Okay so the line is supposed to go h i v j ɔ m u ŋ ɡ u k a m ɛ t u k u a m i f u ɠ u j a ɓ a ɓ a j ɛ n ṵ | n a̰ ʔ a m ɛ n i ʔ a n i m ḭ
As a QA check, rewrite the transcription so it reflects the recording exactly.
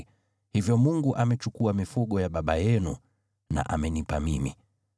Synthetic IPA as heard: h i v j ɔ m u ŋ ɡ u ʔ a m ɛ t͡ʃ u k u a m i f u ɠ ɔ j a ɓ a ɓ a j ɛ n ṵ | n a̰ ʔ a m ɛ n i p a m i m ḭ